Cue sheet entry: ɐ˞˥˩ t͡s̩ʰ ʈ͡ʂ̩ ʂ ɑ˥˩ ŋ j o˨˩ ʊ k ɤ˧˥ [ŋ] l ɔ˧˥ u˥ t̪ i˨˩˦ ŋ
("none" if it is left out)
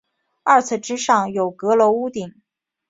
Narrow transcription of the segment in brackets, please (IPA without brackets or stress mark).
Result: none